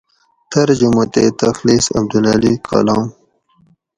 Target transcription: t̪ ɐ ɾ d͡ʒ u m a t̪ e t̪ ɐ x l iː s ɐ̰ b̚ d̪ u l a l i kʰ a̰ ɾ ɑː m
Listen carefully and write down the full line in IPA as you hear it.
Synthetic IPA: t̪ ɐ ɾ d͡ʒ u m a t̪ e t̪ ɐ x l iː s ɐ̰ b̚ d̪ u l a l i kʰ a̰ l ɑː m